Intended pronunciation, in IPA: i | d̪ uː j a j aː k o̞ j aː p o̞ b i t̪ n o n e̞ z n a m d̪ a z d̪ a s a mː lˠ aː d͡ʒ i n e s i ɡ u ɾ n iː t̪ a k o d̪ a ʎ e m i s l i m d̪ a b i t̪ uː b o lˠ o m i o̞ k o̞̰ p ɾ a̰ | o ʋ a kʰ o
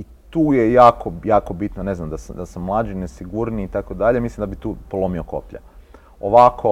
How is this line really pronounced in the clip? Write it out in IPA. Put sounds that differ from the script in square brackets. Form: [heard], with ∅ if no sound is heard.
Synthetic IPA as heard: i | [t̪] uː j [e] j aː k o̞ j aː [k] o̞ b i t̪ n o n e̞ z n a m d̪ a [s] d̪ a s a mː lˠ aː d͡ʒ i n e s i ɡ u ɾ n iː t̪ a k o d̪ a ʎ e m i s l i m d̪ a b i t̪ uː [p] o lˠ o m i o̞ k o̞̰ p [ʎ] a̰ | o ʋ a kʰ o